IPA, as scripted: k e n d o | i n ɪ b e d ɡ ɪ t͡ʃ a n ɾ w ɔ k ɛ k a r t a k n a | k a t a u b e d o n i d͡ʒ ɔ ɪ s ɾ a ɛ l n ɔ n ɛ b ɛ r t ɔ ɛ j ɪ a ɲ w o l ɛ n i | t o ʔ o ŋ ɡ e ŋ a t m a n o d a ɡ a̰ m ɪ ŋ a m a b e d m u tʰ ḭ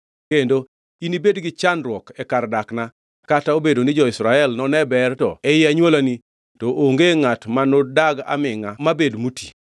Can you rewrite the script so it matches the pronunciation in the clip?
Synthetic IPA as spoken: k e n d o | i n i b e d ɡ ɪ t͡ʃ a n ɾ w ɔ k ɛ k a r d a k n a | k a t a o b e d o n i d͡ʒ ɔ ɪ s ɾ a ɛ l n ɔ n ɛ b ɛ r t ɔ ɛ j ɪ a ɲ w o l a n i | t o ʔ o ŋ ɡ e ŋ a t m a n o d a ɡ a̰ m ɪ ŋ a m a b e d m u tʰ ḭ

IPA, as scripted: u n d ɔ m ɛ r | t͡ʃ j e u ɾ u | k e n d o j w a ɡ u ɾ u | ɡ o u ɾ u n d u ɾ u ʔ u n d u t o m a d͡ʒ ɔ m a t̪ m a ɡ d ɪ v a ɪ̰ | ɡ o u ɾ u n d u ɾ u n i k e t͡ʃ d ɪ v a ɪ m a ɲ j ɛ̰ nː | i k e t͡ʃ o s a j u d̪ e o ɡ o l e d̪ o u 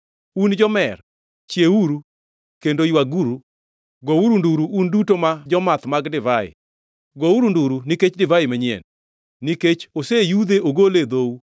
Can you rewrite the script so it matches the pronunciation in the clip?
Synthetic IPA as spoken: u n d͡ʒ ɔ m ɛ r | t͡ʃ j e u ɾ u | k e n d o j w a ɡ u ɾ u | ɡ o u ɾ u n d u ɾ u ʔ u n d u t o m a d͡ʒ ɔ m a t̪ m a ɡ d ɪ v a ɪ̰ | ɡ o u ɾ u n d u ɾ u n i k e t͡ʃ d ɪ v a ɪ m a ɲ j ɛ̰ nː | i k e t͡ʃ o s e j u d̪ e o ɡ o l e d̪ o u

